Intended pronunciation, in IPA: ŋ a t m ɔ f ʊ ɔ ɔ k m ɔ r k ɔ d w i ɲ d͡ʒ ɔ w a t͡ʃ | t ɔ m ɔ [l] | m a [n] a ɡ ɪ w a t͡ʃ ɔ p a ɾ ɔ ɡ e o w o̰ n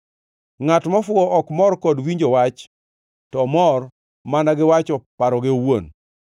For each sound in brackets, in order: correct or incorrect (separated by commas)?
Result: incorrect, correct